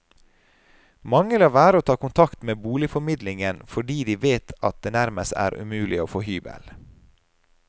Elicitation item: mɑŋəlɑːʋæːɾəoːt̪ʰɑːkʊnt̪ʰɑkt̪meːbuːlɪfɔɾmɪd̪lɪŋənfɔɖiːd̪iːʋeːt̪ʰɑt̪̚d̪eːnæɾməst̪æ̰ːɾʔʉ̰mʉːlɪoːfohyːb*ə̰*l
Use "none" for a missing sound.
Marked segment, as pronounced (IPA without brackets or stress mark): ə̰